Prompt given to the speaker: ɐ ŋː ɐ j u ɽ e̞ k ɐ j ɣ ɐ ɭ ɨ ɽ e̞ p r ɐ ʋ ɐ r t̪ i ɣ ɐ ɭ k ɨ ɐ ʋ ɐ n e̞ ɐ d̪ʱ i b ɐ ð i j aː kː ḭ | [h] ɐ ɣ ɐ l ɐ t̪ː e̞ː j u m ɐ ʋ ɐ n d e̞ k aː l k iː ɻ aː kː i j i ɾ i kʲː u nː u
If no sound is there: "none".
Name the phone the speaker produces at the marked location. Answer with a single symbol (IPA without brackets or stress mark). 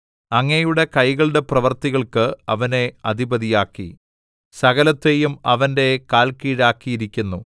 s